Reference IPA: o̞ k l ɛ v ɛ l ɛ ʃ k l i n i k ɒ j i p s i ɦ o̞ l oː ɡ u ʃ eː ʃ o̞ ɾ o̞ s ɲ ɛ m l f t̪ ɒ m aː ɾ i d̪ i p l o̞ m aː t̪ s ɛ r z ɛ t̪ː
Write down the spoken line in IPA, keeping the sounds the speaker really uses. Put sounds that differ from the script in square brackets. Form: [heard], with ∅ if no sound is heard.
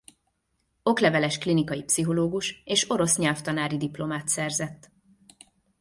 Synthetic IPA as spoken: o̞ k l ɛ v ɛ l ɛ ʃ k l i n i k ɒ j i p s i ɦ o̞ l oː ɡ u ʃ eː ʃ o̞ ɾ o̞ s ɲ ɛ [∅] l f t̪ ɒ [n] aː ɾ i d̪ i p l o̞ m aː t̪ s ɛ r z ɛ t̪ː